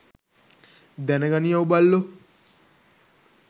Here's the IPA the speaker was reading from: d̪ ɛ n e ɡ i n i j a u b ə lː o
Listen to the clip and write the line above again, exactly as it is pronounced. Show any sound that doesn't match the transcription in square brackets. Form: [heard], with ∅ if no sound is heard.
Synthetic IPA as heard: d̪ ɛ n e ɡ [a] n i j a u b [a] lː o